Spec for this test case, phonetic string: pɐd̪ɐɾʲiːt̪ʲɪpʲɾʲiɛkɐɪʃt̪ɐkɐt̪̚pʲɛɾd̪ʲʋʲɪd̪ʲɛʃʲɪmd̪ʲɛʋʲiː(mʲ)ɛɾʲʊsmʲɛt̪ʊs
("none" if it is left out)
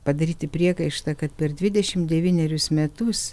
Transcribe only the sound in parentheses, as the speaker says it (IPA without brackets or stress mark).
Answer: nʲ